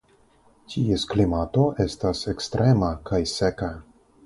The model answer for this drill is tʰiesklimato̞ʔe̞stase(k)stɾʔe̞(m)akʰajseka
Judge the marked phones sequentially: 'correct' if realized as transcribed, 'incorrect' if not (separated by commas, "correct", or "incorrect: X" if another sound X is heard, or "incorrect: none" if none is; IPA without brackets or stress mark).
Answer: correct, correct